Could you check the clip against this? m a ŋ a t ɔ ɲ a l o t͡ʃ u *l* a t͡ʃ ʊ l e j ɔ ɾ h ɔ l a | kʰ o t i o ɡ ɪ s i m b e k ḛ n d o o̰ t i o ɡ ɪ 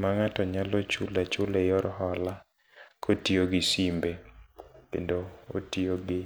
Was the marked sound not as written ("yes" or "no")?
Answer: no